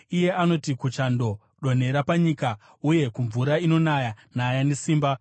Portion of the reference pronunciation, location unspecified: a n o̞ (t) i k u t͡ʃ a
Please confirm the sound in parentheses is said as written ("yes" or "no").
yes